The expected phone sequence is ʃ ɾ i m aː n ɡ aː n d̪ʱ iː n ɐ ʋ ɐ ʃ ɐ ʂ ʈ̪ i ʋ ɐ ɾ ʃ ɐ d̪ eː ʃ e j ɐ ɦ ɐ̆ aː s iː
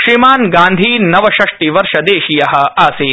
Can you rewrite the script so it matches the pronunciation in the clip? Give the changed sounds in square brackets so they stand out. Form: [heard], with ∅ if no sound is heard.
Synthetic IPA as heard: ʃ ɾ i m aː n ɡ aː n d̪ʱ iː n ɐ ʋ ɐ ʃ ɐ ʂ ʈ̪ i ʋ ɐ ɾ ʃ ɐ d̪ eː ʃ [i] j ɐ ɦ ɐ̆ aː s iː

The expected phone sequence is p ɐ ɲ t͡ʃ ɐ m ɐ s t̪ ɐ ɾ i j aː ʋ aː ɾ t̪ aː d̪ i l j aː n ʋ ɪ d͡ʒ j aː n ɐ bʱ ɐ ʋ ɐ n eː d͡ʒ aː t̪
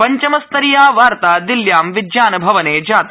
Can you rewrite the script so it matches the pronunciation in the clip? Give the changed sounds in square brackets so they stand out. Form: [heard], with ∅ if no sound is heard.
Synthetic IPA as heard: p ɐ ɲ t͡ʃ ɐ m ɐ s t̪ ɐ ɾ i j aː ʋ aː ɾ t̪ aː d̪ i l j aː [m] ʋ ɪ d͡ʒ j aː n ɐ bʱ ɐ ʋ ɐ n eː d͡ʒ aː t̪

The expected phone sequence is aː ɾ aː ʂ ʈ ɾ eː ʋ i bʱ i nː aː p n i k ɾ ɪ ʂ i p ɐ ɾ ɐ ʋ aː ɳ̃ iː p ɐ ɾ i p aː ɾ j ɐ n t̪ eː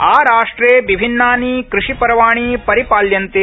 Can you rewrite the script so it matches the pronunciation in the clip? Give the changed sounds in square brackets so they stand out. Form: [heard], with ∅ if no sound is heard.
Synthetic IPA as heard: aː ɾ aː ʂ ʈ ɾ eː ʋ i bʱ i nː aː [∅] n i k ɾ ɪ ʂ i p ɐ ɾ ɐ ʋ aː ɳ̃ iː p ɐ ɾ i p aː [l] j ɐ n t̪ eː

